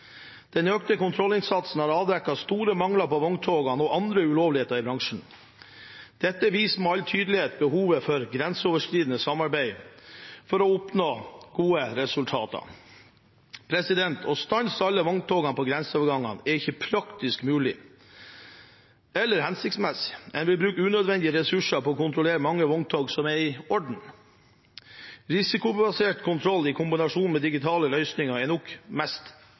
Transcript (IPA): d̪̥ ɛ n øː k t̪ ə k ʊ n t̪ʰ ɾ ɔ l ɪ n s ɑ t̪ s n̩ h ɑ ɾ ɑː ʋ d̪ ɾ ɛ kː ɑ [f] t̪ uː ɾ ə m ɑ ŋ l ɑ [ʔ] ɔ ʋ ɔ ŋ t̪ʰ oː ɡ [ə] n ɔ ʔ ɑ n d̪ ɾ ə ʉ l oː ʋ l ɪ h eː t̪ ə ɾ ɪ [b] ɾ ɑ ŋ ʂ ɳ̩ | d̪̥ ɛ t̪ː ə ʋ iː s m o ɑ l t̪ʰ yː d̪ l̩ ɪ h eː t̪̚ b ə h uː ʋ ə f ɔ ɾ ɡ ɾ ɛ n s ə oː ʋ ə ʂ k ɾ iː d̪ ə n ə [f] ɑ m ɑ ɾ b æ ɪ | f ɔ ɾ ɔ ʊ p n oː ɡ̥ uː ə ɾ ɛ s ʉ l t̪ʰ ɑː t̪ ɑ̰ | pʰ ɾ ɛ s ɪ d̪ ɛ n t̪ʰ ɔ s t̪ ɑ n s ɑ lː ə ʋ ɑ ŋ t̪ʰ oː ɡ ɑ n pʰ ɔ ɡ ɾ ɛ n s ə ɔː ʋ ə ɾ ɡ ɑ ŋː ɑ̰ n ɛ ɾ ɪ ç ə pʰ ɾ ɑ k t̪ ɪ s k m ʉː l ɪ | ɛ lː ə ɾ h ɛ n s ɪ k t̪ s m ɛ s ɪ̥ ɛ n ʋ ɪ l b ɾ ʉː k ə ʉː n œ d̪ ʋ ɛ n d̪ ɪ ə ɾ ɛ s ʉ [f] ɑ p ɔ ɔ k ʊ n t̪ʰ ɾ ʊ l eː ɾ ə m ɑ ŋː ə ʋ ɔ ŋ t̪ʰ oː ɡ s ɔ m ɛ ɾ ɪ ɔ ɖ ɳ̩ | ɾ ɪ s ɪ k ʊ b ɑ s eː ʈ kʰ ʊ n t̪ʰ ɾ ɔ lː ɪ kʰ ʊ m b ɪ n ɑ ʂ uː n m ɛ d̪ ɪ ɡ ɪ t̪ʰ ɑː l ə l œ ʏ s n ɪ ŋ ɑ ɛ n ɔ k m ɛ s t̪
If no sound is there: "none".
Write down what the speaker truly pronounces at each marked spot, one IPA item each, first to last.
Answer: s, p, ɑ, b, s, ʂ

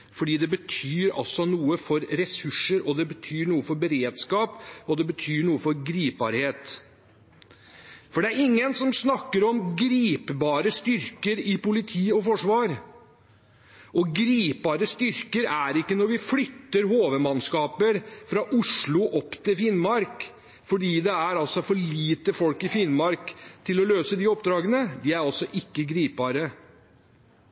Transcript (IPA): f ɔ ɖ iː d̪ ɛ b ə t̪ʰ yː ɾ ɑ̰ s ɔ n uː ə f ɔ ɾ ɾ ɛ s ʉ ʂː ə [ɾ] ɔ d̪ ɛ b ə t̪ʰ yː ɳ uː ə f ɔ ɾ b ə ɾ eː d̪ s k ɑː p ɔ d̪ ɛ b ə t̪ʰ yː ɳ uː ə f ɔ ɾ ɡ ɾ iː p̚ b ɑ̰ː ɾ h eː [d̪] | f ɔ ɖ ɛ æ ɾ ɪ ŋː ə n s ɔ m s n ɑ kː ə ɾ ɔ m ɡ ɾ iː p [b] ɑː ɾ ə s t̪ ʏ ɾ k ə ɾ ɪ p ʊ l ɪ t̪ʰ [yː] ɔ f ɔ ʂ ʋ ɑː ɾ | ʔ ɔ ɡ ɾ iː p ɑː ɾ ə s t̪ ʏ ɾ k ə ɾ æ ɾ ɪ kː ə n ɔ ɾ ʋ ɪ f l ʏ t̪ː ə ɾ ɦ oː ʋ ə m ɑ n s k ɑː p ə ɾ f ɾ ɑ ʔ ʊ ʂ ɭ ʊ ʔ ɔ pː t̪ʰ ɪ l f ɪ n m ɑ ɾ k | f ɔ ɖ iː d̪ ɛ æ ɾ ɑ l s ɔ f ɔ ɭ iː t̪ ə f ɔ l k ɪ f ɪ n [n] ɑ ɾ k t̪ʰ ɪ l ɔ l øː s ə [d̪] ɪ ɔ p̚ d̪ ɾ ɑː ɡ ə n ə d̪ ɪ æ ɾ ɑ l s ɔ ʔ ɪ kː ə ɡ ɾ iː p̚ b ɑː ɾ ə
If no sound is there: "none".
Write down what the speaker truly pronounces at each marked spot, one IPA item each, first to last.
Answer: ɾ, t̪, b, iː, m, d̪

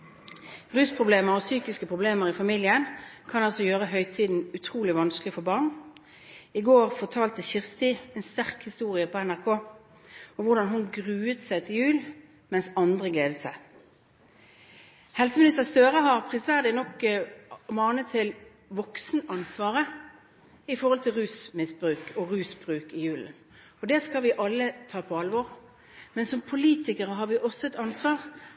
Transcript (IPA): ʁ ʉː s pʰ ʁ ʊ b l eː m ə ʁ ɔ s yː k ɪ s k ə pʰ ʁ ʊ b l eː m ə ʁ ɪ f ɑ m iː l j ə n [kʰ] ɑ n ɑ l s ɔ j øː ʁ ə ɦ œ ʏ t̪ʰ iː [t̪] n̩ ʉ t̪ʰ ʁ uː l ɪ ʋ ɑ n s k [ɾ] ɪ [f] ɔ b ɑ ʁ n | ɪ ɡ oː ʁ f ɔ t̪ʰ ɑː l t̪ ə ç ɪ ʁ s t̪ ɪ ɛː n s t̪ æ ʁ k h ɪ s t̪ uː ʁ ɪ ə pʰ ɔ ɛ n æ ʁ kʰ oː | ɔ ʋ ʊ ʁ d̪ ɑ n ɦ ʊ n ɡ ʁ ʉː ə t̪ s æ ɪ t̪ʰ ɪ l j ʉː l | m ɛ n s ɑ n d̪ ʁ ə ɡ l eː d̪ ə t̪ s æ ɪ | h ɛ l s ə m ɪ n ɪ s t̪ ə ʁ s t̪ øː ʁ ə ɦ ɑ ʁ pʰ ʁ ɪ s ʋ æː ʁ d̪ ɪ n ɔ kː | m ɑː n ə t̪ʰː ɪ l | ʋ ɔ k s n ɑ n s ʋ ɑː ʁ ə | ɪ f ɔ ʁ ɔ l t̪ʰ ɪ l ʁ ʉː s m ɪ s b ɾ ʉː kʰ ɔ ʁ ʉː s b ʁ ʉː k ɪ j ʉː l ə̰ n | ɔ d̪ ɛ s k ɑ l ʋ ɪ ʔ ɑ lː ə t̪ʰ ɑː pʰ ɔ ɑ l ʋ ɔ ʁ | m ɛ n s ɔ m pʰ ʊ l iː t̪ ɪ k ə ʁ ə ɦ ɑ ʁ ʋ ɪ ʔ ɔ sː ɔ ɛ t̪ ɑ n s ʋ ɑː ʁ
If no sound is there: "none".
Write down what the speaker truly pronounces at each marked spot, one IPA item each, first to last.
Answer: kʰ, d̪, l, f

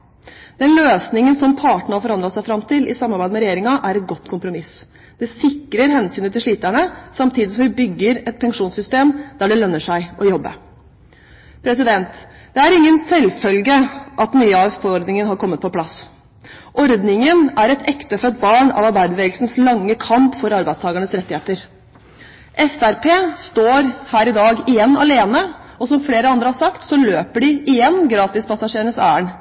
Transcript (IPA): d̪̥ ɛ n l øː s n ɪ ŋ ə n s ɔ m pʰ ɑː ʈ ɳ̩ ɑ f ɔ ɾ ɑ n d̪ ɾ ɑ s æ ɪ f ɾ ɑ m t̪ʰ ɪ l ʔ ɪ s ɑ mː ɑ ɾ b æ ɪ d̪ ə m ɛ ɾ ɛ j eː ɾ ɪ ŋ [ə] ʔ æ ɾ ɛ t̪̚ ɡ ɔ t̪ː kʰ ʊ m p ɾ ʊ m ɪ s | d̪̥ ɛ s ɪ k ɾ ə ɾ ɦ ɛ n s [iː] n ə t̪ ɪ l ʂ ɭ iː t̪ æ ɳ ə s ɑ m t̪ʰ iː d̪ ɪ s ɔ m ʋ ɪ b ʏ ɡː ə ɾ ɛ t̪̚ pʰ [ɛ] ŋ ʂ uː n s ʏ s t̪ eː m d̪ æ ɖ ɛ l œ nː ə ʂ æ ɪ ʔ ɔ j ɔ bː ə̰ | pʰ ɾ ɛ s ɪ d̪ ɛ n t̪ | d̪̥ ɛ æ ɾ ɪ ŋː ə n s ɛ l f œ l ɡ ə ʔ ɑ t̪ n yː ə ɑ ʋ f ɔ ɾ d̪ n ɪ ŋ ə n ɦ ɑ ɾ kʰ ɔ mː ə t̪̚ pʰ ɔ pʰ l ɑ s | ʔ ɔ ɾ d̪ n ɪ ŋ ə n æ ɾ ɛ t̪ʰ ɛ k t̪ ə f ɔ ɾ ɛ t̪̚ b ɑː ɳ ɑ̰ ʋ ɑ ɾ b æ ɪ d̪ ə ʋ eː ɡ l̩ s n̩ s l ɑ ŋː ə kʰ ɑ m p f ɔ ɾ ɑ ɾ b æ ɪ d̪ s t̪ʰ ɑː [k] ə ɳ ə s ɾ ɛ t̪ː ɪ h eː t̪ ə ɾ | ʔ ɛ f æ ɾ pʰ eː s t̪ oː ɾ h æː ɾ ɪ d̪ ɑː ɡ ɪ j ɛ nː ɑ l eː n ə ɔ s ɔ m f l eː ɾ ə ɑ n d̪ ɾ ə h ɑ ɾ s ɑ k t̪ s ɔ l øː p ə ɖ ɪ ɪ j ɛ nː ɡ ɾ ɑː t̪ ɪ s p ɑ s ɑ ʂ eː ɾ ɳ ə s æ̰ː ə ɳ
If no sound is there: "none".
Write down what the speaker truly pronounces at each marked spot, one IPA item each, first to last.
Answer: ɑ, yː, ɛ, ɡ

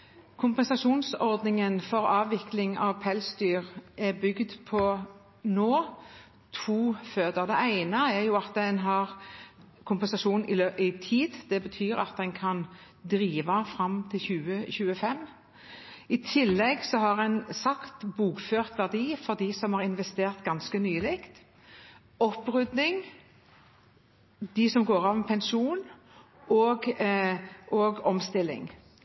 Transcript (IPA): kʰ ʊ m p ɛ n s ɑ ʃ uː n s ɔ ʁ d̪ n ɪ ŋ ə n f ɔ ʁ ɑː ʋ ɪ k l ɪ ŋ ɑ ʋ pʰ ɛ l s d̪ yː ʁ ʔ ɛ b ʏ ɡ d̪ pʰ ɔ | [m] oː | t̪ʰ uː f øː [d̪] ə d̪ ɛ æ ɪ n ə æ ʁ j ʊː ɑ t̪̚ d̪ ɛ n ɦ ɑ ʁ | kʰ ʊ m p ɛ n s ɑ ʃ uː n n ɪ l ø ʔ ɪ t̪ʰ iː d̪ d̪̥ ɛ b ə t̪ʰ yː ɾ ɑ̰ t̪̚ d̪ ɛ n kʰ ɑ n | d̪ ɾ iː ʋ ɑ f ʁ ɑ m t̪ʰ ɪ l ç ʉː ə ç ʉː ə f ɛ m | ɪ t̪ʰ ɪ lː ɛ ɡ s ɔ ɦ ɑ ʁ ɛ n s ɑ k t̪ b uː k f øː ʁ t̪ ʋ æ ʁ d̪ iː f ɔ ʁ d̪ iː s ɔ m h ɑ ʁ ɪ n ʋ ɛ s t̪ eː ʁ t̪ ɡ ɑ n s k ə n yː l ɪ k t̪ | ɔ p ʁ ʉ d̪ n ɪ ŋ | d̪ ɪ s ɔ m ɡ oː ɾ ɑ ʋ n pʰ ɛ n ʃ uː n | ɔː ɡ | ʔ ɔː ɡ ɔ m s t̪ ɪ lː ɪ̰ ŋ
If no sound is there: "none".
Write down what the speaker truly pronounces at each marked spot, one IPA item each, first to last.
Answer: n, d̪

